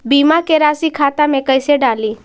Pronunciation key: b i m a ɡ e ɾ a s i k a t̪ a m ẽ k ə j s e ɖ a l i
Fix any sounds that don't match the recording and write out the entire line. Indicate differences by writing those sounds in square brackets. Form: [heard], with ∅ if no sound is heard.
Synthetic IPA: b i m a [k] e ɾ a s i [kʰ] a t̪ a m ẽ k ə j s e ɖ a l i